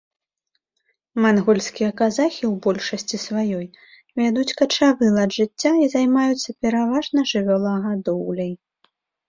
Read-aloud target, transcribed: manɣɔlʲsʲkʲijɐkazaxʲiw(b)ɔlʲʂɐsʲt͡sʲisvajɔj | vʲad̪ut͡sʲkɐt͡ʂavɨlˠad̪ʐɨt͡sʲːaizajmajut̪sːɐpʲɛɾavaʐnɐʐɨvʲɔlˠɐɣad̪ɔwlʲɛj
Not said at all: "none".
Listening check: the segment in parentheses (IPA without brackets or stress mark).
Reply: b